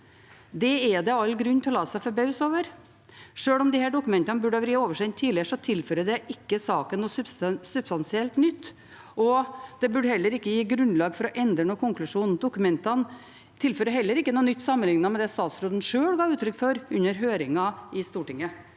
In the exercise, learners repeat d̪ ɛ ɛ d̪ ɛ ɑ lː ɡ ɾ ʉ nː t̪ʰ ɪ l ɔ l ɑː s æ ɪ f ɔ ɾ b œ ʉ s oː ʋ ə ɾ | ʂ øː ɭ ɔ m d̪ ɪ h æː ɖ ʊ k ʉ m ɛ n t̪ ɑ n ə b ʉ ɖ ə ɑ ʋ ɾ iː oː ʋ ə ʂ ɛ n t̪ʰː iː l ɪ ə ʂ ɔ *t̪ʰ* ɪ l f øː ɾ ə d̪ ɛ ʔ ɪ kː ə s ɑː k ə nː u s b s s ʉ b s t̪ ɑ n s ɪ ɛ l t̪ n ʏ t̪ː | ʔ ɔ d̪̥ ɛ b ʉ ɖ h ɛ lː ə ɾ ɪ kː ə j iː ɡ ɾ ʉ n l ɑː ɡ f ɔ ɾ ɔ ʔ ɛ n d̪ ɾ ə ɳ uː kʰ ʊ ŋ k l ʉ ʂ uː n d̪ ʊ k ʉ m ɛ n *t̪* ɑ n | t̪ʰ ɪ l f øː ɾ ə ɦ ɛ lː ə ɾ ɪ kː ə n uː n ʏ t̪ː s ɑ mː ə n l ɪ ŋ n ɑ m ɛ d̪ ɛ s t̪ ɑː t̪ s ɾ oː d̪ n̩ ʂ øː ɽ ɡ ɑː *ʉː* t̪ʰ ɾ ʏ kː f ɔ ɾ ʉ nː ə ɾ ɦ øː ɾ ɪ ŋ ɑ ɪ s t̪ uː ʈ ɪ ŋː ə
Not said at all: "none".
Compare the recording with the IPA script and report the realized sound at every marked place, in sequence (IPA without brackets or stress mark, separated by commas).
t̪ʰ, t̪, ʉː